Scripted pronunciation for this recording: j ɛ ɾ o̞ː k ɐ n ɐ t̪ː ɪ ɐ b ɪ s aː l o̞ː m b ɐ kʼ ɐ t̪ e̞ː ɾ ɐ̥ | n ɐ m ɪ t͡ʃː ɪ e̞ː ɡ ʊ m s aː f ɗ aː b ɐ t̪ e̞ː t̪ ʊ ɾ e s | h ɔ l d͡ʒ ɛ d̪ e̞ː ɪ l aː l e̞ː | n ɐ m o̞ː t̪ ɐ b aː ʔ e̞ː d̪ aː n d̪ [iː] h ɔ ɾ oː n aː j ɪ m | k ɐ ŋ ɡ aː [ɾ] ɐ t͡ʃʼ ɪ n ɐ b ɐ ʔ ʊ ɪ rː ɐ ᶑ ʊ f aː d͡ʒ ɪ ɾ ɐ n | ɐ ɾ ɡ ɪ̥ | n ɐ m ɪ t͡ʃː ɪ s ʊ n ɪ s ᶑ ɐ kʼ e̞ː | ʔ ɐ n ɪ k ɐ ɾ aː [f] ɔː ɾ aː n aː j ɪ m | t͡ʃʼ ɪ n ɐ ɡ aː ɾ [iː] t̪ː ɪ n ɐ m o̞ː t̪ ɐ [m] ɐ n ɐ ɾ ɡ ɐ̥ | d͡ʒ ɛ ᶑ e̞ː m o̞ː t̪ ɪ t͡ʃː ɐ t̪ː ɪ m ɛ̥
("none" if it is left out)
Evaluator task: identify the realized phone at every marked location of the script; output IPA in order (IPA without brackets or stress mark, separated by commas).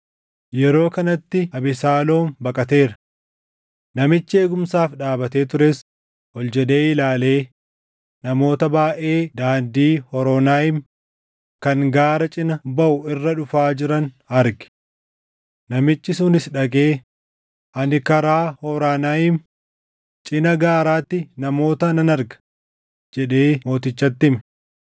iː, ɾ, h, aː, n